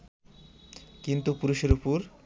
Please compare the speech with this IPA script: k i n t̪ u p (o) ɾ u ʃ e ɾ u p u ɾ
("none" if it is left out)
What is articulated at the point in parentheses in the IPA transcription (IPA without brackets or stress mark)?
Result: u